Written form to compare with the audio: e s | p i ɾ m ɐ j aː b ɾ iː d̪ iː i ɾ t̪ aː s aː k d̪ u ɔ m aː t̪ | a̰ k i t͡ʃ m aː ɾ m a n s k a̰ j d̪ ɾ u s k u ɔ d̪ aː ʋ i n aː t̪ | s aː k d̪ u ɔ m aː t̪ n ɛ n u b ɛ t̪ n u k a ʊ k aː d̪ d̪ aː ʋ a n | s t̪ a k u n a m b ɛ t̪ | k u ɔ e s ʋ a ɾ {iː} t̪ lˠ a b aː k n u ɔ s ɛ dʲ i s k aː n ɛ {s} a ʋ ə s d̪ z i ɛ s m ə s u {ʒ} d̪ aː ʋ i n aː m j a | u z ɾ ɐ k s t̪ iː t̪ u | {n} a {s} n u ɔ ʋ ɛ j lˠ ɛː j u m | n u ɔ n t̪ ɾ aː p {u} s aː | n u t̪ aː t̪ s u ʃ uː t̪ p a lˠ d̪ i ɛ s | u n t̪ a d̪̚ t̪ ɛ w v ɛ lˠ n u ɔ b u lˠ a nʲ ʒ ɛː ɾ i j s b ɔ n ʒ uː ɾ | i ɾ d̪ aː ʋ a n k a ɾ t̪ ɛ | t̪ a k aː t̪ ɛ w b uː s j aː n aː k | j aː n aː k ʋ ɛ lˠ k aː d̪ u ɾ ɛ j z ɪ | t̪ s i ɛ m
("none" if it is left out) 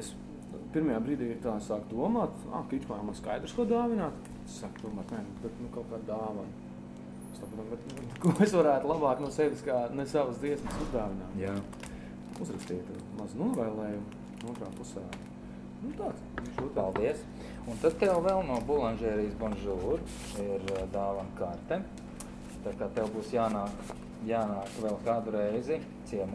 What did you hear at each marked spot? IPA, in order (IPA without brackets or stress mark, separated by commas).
æː, s, z, m, z, u